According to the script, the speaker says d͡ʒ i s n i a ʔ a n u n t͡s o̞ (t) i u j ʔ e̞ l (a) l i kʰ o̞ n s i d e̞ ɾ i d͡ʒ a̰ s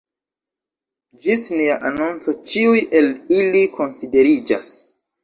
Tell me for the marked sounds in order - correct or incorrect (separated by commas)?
incorrect, incorrect